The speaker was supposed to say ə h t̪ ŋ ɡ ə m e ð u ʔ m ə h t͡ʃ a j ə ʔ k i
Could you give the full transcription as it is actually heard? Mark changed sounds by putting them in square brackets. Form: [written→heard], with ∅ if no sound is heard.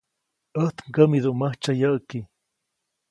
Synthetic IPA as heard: ə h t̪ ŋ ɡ ə m [e→i] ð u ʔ m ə h t͡ʃ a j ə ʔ k i